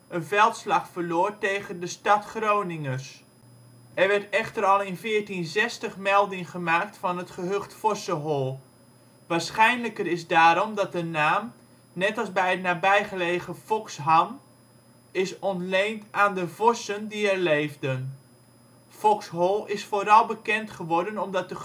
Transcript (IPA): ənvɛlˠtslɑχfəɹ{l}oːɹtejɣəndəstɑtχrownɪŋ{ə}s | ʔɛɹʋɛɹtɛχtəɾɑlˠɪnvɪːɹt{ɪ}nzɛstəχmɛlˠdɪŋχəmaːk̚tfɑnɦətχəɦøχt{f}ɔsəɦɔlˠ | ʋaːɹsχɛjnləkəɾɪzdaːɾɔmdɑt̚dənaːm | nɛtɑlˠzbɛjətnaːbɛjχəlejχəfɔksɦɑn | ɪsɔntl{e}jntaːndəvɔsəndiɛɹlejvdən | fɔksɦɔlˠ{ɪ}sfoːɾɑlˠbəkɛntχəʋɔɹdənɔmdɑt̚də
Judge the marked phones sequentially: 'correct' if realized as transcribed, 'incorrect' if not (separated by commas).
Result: correct, correct, incorrect, correct, correct, correct